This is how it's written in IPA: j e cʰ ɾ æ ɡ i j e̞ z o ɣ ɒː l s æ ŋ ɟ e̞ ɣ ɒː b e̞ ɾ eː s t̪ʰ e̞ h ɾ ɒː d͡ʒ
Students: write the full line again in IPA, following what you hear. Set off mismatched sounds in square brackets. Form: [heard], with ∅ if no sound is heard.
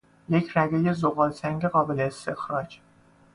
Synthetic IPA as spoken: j e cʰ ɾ æ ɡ [e] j e̞ z o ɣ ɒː l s æ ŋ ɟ e̞ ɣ ɒː b e̞ [l] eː s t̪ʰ e̞ [x] ɾ ɒː d͡ʒ